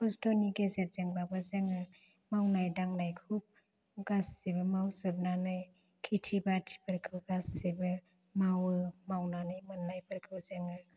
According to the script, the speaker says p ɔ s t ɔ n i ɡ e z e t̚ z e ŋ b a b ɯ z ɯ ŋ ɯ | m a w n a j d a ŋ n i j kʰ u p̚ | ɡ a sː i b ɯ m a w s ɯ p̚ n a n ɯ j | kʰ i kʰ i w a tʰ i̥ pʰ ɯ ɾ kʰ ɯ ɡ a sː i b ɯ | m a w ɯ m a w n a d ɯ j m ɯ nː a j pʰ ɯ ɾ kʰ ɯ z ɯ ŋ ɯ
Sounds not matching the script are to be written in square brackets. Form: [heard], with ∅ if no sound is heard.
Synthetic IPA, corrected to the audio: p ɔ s t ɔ n i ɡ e z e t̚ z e ŋ b a b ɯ z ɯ ŋ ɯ | m a w n a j d a ŋ n [a] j kʰ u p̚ | ɡ a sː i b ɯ m a w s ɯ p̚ n a n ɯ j | kʰ i [tʰ] i [b] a tʰ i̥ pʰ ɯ ɾ kʰ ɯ ɡ a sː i b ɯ | m a w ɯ m a w n a [n] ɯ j m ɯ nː a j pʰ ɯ ɾ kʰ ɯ z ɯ ŋ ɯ